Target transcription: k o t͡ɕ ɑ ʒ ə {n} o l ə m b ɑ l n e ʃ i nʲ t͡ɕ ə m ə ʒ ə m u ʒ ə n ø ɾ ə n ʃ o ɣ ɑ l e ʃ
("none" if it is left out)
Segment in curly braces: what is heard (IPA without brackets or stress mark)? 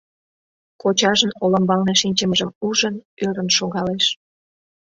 n